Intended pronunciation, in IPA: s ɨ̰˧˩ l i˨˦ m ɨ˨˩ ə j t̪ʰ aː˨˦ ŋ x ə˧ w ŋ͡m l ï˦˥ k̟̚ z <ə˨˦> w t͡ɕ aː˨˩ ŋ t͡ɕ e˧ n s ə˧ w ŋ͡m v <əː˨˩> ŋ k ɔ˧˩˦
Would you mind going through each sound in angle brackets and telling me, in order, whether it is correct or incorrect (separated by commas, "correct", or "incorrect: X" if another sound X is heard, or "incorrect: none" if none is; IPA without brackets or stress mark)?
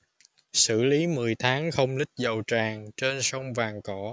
incorrect: ə˨˩, incorrect: aː˨˩